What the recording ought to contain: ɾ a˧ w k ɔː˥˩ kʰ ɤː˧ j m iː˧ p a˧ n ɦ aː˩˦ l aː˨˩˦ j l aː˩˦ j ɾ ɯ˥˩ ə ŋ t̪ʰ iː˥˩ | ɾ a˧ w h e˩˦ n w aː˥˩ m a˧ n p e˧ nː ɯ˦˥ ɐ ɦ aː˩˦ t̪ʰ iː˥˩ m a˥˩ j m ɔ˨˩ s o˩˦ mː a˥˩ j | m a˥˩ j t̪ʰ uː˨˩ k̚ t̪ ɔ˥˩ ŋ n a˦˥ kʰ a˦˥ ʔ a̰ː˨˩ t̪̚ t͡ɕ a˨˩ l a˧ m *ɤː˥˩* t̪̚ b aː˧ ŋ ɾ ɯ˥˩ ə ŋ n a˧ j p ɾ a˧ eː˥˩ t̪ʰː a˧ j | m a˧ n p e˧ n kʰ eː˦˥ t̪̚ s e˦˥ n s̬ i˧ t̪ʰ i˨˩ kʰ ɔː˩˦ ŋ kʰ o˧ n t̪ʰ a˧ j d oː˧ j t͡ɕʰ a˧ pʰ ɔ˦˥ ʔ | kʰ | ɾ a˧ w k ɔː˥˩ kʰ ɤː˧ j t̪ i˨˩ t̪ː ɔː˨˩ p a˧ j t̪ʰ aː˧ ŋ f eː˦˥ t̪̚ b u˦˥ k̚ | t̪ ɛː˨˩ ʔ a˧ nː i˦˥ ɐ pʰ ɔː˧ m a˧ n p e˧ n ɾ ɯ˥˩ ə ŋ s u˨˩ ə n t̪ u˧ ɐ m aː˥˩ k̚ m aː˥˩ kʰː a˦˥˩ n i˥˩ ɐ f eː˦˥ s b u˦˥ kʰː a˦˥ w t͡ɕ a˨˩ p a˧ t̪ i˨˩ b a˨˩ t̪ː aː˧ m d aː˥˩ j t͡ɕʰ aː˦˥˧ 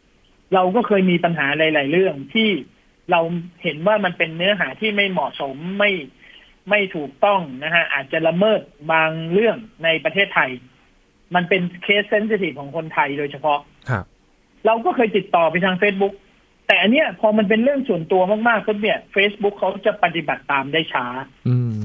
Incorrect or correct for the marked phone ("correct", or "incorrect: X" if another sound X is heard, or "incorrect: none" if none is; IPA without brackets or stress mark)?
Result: correct